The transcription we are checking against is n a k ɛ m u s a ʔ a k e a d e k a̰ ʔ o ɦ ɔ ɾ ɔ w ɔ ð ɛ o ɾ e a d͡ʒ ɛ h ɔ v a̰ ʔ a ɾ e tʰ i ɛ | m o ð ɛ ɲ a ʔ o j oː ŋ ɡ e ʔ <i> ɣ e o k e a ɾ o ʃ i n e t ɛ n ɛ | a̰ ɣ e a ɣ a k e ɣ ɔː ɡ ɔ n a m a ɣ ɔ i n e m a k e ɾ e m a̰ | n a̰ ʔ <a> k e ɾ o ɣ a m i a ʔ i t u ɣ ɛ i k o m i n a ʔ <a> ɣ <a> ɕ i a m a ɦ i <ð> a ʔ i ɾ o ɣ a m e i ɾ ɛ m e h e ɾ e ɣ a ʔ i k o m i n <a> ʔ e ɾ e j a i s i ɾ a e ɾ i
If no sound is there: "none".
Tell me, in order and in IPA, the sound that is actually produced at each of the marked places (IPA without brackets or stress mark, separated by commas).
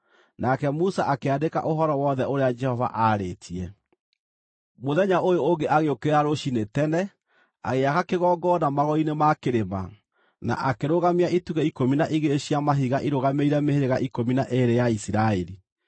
a, a, i, e, ɣ, a